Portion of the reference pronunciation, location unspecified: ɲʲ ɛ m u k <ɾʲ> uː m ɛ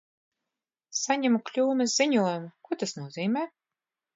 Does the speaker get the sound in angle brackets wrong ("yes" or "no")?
yes